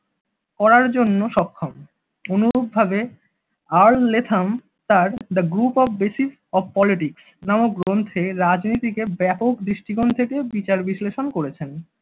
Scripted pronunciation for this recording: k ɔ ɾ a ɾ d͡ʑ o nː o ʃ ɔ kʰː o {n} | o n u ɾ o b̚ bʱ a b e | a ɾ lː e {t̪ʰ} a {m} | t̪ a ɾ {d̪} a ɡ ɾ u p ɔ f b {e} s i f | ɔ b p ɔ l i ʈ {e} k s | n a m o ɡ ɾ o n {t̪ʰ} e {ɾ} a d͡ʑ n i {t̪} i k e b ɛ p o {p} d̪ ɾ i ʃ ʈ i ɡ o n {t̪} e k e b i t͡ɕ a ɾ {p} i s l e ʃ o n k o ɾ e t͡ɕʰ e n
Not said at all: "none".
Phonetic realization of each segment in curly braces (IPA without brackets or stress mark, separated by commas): m, t̪ʰ, m, d̪, e, i, t̪ʰ, ɾ, t̪, k, t̪ʰ, b